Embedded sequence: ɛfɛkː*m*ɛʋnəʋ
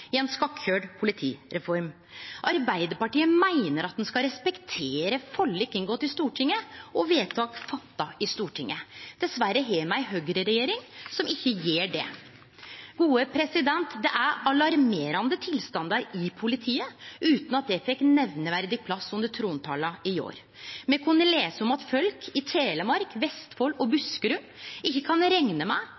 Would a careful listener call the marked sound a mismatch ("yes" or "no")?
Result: yes